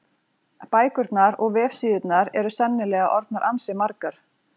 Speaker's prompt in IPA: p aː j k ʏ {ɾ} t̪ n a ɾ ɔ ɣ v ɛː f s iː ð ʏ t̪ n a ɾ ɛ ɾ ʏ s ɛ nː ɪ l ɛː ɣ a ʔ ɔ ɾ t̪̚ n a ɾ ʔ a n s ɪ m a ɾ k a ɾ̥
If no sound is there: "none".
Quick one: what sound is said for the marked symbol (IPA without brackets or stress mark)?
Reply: ɾ